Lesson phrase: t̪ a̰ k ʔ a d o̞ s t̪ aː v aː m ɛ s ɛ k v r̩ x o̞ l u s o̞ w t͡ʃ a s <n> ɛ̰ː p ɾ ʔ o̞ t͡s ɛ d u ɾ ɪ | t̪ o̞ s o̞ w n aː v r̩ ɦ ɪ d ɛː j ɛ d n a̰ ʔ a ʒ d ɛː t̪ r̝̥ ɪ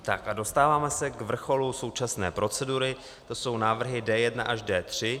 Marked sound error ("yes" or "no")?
no